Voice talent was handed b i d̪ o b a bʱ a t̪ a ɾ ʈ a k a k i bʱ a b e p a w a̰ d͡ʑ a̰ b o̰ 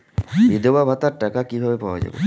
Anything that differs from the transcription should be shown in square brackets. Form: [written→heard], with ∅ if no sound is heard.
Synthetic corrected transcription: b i d̪ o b a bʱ a t̪ a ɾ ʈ a k a k i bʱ a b e p a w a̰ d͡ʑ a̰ b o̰